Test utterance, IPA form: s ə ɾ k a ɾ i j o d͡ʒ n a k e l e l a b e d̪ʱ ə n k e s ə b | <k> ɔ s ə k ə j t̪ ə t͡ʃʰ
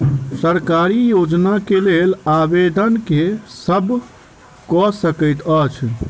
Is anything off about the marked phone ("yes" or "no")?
no